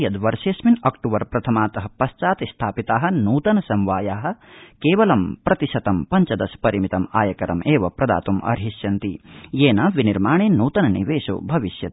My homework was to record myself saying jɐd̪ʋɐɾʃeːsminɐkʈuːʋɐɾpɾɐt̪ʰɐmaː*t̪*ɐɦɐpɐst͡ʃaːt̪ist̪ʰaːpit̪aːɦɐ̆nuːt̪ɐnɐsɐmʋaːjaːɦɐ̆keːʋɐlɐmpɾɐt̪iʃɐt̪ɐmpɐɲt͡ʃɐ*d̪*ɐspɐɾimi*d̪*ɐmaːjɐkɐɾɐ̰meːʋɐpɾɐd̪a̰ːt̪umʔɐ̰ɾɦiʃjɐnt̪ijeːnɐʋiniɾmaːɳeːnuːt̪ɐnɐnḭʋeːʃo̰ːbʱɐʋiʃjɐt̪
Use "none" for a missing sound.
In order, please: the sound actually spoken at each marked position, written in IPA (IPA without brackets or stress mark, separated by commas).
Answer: t̪, d̪, t̪